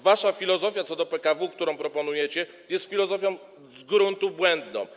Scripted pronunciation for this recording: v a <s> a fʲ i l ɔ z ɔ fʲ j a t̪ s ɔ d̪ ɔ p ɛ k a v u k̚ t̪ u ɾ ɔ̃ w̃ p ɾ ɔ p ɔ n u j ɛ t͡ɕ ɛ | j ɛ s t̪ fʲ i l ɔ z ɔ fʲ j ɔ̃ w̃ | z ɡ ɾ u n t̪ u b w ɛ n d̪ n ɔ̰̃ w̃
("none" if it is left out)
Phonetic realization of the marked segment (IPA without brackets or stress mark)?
ʂ